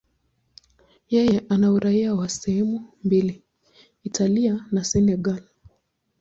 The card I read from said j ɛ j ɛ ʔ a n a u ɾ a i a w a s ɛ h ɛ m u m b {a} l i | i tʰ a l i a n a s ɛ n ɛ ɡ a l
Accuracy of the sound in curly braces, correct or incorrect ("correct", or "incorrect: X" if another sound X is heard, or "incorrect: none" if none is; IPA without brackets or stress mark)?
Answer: incorrect: i